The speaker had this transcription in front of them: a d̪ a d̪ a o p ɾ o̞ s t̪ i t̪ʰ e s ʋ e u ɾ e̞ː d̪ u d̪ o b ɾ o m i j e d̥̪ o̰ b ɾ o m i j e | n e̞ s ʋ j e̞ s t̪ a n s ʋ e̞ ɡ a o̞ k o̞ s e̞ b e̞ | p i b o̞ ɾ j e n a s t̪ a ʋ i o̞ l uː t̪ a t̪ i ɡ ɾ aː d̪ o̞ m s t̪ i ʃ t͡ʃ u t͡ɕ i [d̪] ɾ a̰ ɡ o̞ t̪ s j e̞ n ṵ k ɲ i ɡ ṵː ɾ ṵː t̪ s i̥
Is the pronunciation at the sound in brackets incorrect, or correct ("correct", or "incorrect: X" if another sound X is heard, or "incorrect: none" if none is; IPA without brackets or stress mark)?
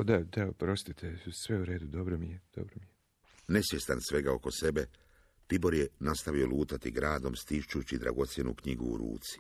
correct